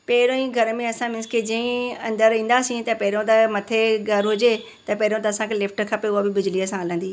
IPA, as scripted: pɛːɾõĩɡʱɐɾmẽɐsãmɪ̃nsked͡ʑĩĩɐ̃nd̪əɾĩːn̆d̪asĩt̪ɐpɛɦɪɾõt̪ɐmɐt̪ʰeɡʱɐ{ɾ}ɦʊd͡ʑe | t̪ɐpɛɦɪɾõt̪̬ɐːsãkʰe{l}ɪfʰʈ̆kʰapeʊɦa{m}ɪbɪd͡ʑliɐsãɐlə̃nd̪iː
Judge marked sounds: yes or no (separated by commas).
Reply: yes, yes, no